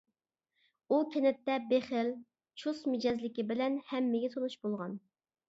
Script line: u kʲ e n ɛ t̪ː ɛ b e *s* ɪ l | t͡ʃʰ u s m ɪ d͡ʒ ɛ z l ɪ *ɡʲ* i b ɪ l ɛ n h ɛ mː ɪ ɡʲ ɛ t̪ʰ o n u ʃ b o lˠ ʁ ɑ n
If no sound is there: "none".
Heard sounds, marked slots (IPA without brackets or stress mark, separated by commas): χ, kʲ